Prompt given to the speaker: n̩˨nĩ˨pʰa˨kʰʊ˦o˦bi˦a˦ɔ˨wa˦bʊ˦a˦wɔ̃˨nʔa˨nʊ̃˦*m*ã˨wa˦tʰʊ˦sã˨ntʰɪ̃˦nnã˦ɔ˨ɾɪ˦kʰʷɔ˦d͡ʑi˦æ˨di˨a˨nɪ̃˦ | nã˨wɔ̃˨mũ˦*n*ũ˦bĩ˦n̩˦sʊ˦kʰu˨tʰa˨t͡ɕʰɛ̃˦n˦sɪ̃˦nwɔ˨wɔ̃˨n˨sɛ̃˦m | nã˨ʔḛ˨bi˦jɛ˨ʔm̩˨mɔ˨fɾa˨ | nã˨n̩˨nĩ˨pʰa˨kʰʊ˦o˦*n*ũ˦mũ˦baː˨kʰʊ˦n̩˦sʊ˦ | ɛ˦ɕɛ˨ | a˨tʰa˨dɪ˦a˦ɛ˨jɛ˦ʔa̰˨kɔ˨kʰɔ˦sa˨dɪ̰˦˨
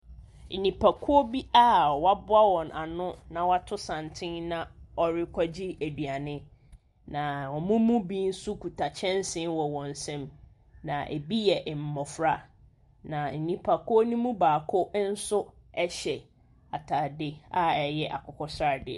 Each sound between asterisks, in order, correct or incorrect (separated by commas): incorrect, incorrect, correct